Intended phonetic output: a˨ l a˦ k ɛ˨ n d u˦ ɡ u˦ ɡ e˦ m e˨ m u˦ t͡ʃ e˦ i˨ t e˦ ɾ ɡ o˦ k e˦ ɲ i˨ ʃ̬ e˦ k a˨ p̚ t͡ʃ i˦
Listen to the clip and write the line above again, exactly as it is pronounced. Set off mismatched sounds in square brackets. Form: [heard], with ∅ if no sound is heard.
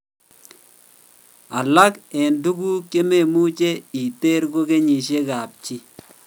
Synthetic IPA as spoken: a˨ l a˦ k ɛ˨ n d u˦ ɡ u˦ [k] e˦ m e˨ m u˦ t͡ʃ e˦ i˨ t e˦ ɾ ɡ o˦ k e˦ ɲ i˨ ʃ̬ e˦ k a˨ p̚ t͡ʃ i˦